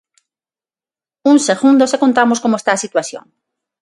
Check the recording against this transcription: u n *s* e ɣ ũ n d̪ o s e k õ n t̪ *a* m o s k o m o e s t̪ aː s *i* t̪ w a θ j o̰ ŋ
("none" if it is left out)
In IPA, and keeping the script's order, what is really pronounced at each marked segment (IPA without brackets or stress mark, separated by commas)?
s, a, i